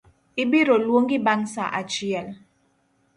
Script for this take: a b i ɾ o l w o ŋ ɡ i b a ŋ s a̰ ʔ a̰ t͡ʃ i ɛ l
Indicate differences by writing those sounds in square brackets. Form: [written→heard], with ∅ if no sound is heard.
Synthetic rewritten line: [a→i] b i ɾ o l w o ŋ ɡ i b a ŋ s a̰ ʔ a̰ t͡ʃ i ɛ l

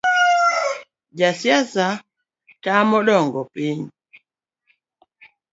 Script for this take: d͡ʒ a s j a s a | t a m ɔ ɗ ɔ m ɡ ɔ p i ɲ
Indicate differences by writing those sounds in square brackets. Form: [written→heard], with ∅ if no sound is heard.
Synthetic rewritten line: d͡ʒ a s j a s a | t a m ɔ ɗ ɔ [m→ŋ] ɡ ɔ p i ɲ

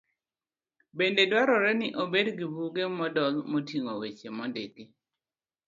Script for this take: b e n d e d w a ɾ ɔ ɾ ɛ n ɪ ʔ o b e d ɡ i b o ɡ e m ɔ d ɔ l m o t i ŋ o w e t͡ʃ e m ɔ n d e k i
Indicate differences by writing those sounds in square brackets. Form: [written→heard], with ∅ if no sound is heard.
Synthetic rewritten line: b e n d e d w a ɾ ɔ ɾ ɛ n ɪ ʔ o b e d ɡ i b [o→u] ɡ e m ɔ d ɔ l m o t i ŋ o w e t͡ʃ e m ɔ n d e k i

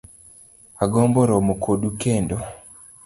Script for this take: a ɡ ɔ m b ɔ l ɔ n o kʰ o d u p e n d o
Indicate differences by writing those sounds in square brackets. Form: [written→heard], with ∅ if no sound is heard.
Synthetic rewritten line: a ɡ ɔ m b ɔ [l→ɾ] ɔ [n→m] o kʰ o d u [p→k] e n d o

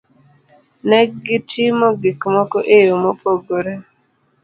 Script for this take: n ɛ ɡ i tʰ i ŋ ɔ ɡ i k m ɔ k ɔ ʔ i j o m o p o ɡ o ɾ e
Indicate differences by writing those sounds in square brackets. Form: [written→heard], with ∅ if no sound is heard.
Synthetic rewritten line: n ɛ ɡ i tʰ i [ŋ→m] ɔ ɡ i k m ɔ k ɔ ʔ [i→e] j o m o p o ɡ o ɾ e

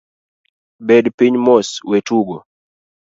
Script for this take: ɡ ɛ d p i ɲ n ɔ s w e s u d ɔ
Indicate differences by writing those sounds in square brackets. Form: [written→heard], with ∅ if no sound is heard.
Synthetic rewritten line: [ɡ→b] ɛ d p i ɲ [n→m] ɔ s w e [s→t] u [d→ɡ] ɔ

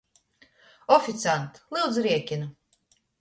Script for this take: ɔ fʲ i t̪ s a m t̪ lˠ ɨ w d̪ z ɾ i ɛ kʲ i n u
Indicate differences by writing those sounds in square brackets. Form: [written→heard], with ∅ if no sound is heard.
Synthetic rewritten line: ɔ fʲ i t̪ s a [m→n] t̪ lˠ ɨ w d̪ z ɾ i ɛ kʲ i n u

